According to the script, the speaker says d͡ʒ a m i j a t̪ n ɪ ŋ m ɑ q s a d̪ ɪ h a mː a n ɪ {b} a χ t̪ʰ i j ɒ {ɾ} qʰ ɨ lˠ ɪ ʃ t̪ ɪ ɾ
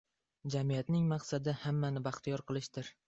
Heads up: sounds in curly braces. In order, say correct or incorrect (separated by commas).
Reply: correct, correct